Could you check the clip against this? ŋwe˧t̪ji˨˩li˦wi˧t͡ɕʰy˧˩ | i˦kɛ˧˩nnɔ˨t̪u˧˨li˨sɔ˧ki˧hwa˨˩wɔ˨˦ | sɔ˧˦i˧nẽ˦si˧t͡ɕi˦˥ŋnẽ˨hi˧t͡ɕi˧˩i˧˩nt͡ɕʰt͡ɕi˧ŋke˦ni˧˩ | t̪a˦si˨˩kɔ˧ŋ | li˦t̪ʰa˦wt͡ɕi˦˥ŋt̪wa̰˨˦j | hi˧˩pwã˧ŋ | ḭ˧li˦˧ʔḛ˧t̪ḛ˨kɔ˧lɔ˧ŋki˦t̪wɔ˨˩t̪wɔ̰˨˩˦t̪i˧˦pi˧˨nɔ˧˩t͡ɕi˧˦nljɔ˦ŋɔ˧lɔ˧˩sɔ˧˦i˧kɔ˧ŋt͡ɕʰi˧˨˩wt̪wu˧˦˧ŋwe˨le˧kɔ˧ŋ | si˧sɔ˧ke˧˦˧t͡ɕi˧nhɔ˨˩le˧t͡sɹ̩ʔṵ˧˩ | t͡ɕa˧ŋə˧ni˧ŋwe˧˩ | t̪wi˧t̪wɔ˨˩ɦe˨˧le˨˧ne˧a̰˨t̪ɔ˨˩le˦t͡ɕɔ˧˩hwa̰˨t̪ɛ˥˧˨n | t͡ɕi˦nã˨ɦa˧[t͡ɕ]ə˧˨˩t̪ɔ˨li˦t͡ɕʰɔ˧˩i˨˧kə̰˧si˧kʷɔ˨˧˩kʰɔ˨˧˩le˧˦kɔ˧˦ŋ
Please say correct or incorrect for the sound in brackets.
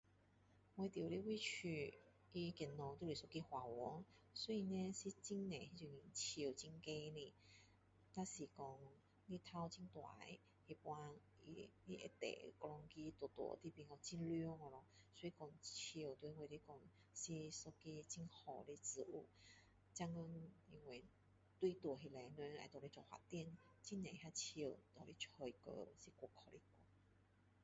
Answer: incorrect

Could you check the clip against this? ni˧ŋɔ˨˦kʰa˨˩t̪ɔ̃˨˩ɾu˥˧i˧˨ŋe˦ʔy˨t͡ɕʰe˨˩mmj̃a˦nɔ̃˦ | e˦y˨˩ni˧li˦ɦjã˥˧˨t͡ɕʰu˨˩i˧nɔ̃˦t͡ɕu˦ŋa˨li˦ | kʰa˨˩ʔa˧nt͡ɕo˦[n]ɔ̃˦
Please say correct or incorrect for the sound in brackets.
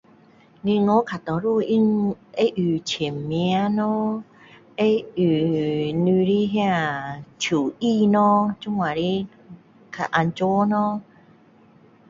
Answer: correct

